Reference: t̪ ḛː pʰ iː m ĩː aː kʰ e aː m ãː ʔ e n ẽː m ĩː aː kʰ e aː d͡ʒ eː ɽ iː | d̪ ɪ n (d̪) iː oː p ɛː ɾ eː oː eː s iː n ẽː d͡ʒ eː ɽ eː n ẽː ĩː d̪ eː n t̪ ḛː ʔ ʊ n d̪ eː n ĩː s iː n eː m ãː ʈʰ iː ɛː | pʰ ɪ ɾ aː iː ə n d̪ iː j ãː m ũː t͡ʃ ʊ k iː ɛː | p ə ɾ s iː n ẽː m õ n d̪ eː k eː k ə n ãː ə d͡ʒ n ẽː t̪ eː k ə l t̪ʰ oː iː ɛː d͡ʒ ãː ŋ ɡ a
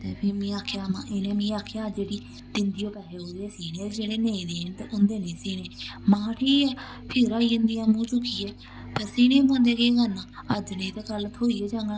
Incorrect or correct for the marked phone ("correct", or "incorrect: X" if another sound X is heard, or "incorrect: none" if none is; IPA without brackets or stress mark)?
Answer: correct